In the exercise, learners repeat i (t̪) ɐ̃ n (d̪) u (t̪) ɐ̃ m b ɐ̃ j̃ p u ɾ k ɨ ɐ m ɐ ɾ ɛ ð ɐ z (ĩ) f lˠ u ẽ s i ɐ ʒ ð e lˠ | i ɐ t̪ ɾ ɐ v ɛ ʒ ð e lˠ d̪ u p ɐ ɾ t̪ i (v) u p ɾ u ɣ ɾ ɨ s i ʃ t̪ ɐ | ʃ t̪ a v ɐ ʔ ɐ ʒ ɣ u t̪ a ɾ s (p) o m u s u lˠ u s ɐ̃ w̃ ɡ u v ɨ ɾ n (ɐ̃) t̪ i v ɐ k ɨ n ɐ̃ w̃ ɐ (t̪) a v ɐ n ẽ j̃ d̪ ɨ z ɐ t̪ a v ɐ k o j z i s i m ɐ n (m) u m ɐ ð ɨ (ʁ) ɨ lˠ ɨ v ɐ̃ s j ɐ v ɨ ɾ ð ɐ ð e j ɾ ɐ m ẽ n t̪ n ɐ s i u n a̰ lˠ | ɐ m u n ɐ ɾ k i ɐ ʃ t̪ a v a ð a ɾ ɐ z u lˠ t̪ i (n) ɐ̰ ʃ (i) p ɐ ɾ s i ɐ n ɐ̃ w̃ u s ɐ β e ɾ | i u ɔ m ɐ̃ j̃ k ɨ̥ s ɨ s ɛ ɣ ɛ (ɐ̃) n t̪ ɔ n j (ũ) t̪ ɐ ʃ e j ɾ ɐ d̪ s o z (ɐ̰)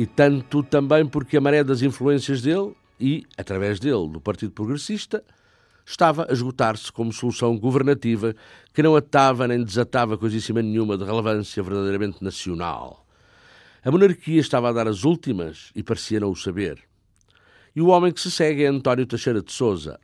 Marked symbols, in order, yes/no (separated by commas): yes, no, yes, yes, no, no, no, yes, no, yes, no, yes, yes, no, yes